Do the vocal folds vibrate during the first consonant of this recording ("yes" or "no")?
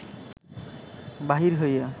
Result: yes